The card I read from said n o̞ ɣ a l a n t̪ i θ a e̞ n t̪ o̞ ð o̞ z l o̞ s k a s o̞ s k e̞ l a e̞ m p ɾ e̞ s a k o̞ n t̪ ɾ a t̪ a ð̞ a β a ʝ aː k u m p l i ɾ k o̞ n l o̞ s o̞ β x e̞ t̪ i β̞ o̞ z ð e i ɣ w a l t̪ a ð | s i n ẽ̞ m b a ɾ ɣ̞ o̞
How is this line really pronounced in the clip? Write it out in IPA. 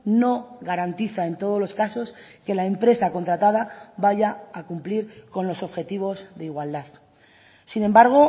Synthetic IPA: n o̞ ɣ a ɾ a n t̪ i θ a e̞ n t̪ o̞ ð o̞ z l o̞ s k a s o̞ s k e̞ l a e̞ m p ɾ e̞ s a k o̞ n t̪ ɾ a t̪ a ð̞ a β a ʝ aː k u m p l i ɾ k o̞ n l o̞ s o̞ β x e̞ t̪ i β̞ o̞ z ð e i ɣ w a l d̪ a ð | s i n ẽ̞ m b a ɾ ɣ̞ o̞